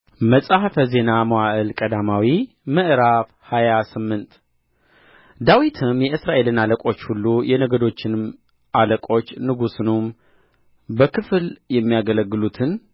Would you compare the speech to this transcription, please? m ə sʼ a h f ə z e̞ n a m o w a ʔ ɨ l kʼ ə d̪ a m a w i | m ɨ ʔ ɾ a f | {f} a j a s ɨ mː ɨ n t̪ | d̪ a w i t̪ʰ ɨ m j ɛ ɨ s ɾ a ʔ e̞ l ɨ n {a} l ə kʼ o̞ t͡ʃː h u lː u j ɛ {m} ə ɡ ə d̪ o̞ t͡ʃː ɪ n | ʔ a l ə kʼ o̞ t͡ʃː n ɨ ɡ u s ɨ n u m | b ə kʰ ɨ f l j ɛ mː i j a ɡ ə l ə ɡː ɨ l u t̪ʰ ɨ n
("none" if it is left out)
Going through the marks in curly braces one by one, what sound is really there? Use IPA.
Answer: h, a, n

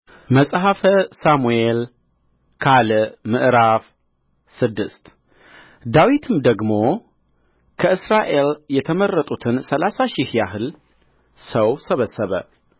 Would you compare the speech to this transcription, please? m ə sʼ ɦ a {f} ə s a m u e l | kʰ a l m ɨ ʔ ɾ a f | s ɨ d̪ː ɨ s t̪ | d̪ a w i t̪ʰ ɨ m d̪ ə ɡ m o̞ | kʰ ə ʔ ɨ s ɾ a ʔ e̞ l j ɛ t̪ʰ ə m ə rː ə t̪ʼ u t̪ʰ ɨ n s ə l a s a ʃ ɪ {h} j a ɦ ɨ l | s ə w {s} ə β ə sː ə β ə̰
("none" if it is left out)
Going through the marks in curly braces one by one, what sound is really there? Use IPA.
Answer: f, h, s

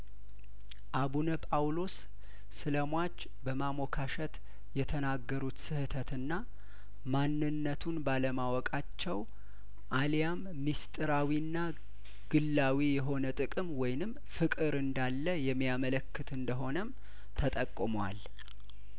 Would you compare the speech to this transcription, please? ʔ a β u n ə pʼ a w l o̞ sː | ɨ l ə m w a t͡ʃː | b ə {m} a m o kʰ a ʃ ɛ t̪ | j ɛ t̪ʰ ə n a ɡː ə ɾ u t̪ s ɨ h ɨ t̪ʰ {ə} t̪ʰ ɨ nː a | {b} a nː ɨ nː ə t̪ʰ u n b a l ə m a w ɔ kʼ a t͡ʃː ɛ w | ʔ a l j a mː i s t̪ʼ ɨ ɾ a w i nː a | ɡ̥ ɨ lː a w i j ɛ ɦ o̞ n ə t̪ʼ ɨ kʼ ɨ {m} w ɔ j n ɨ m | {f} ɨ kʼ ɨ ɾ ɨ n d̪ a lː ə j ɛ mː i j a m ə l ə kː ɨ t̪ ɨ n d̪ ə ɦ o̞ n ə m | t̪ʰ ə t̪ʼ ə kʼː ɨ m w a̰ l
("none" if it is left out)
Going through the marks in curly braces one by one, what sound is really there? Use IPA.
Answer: m, ə, m, m, f

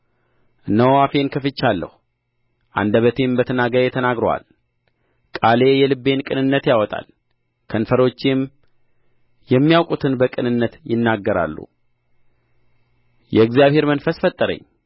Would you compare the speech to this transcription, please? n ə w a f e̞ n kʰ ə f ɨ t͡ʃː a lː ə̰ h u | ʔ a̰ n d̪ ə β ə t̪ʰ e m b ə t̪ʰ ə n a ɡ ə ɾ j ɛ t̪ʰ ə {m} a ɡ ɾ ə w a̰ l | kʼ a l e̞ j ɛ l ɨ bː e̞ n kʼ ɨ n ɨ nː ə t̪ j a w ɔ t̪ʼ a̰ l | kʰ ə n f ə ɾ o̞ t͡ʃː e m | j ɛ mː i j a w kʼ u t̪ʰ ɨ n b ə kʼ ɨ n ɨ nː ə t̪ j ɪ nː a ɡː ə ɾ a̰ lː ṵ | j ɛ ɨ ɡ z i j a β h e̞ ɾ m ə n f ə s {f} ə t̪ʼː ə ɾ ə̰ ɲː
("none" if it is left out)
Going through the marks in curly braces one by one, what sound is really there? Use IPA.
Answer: n, f

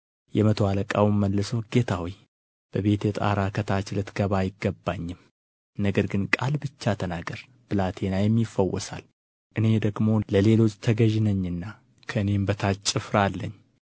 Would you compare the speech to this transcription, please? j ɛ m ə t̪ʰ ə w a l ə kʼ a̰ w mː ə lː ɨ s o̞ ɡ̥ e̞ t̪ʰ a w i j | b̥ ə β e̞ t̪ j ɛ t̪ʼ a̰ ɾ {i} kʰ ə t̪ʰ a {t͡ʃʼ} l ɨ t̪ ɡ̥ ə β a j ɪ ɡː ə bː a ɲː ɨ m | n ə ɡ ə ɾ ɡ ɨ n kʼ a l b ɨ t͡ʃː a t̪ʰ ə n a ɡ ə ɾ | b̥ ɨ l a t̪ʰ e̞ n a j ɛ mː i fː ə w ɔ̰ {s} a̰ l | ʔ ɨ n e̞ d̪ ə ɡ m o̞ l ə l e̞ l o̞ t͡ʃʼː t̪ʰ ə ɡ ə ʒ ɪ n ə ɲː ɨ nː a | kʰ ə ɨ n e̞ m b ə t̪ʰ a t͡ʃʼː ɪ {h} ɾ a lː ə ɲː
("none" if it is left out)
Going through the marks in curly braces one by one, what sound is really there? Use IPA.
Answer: a, t͡ʃ, s, f

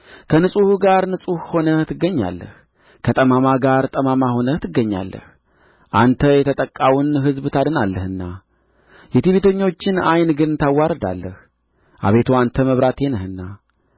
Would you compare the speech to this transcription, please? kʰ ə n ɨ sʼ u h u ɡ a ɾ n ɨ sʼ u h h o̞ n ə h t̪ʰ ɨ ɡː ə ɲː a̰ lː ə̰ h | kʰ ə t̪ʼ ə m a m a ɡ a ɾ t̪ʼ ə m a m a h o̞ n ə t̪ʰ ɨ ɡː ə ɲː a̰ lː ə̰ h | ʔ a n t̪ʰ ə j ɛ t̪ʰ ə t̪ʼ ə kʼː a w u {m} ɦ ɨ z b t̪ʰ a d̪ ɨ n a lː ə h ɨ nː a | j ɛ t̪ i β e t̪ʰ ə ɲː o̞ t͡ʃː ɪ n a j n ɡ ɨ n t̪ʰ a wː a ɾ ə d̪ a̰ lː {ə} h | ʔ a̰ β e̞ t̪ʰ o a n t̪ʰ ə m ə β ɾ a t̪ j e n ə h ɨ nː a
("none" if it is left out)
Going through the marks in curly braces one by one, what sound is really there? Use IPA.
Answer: n, ə

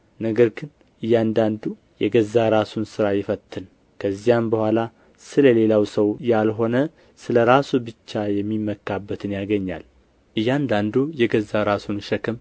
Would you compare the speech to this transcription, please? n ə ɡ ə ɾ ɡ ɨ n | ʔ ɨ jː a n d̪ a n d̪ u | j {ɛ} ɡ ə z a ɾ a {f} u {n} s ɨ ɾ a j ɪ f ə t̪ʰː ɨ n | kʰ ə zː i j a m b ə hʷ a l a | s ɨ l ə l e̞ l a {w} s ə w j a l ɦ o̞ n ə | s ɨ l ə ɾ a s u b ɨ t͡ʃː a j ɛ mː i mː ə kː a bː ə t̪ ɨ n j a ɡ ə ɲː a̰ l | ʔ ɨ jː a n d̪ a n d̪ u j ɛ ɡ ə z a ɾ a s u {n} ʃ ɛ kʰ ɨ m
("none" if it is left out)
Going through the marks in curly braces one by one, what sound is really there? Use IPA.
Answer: ɛ, s, n, w, n

